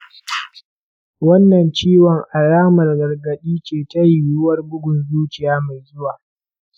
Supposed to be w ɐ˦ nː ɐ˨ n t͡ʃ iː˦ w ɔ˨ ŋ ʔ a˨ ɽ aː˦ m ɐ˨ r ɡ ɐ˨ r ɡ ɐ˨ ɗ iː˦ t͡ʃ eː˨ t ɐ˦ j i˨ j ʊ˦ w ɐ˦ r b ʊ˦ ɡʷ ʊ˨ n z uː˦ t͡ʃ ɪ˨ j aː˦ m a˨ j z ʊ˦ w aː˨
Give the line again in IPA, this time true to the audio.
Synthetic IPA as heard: w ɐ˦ nː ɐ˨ n t͡ʃ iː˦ w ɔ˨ ŋ ʔ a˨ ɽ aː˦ m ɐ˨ r ɡ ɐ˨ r ɡ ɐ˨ ɗ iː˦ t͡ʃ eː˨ t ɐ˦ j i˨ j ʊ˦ w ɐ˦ r b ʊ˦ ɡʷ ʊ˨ n z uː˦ t͡ʃ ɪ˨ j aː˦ m a˨ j z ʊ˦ w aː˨